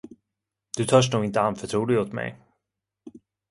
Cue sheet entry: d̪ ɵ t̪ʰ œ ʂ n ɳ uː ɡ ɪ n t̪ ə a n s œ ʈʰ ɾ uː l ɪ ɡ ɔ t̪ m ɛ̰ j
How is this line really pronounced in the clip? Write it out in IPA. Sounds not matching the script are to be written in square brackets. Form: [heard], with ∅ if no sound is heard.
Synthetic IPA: d̪ ɵ t̪ʰ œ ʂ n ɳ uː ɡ ɪ n t̪ ə a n [f] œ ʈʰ ɾ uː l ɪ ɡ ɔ t̪ m ɛ̰ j